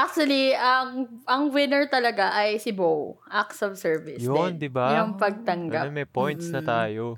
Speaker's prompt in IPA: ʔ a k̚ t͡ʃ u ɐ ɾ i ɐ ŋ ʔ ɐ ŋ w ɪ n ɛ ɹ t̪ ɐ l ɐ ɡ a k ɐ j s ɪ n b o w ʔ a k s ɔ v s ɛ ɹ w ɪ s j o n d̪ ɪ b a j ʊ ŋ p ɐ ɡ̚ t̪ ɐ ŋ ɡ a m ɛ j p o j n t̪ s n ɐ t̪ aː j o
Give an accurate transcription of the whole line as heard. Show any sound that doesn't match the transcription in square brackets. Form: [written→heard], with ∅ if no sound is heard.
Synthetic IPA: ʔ a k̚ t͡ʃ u ɐ [ɾ→l] i ɐ ŋ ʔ ɐ ŋ w ɪ n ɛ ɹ t̪ ɐ l ɐ ɡ a [k→ʔ] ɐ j s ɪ [n→∅] b o w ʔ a k s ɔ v s ɛ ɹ [w→v] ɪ s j o n d̪ ɪ b a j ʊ ŋ p ɐ ɡ̚ t̪ ɐ ŋ ɡ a m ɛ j p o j n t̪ s n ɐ t̪ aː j o